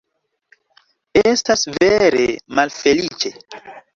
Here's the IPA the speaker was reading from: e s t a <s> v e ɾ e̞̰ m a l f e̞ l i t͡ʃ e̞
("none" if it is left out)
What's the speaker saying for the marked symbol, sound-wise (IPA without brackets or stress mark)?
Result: s